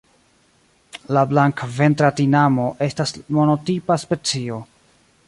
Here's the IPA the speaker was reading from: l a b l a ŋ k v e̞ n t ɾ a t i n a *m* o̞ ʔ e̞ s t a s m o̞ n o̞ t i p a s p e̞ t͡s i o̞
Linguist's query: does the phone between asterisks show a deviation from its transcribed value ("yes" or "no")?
no